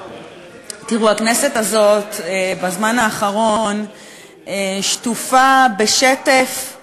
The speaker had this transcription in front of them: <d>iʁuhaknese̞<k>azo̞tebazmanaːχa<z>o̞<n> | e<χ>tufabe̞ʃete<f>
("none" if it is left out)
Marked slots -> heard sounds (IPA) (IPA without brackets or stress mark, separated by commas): t, t, ʁ, n, ʃ, f